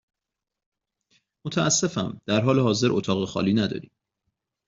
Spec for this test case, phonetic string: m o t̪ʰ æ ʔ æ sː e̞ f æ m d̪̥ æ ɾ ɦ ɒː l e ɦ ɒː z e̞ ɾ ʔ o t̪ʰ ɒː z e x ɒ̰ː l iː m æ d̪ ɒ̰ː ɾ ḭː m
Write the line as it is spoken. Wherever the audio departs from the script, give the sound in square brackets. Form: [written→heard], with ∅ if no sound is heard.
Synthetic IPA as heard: m o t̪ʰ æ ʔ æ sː e̞ f æ m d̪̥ æ ɾ ɦ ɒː l e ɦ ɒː z e̞ ɾ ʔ o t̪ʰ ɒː [z→ɣ] e x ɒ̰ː l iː [m→n] æ d̪ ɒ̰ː ɾ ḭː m